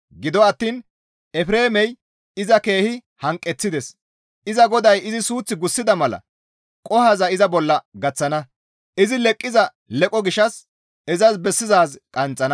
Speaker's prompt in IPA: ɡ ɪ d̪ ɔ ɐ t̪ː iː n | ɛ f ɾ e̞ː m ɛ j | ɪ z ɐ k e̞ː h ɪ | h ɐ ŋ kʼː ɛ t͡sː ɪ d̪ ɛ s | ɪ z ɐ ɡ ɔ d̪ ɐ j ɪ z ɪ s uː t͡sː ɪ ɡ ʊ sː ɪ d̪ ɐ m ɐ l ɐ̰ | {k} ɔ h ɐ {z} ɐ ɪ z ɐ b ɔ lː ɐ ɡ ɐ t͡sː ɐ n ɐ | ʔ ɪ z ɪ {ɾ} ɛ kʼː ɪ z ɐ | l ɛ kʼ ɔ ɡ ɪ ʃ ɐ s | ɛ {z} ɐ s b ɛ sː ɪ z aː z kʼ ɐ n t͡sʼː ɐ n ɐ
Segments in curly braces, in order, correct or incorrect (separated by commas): incorrect, correct, incorrect, correct